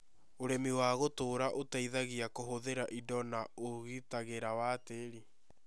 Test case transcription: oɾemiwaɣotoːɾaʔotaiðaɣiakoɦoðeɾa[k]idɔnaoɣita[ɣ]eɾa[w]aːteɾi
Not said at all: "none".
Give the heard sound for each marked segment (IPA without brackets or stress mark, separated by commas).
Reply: ʔ, ɣ, w